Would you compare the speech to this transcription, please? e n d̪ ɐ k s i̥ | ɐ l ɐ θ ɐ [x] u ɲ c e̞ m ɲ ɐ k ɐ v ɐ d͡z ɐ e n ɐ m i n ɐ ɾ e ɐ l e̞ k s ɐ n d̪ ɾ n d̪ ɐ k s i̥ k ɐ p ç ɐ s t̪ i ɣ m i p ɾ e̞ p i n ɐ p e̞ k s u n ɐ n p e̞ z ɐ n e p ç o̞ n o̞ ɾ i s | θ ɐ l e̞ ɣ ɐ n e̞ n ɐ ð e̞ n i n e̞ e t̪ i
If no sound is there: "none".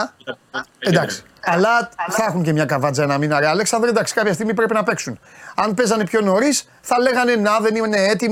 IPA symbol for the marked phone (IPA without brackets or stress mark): x